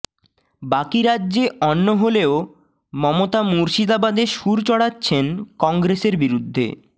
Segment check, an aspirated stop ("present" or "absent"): absent